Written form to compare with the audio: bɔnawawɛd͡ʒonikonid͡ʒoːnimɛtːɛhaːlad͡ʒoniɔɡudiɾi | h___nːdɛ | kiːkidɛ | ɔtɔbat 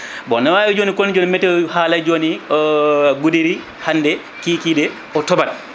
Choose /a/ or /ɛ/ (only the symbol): a